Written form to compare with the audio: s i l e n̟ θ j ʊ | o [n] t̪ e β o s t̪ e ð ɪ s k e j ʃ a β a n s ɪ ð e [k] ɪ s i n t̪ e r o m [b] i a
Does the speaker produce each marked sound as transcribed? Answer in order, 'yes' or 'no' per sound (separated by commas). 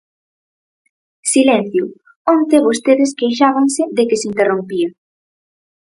yes, yes, no